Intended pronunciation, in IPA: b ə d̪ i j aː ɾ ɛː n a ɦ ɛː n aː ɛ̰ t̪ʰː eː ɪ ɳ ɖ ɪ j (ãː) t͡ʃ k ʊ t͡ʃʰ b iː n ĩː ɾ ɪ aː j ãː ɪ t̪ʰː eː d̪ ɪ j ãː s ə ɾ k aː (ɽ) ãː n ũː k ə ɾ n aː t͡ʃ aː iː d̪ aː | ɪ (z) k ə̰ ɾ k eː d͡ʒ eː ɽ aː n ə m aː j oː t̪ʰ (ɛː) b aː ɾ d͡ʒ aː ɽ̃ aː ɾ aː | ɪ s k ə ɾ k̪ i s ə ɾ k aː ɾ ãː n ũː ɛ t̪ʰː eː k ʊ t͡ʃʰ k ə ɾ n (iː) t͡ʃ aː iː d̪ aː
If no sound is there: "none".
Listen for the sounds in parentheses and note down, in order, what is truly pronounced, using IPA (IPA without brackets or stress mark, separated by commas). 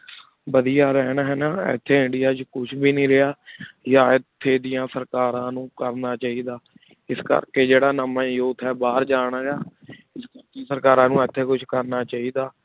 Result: aː, ɾ, s, ɛː, aː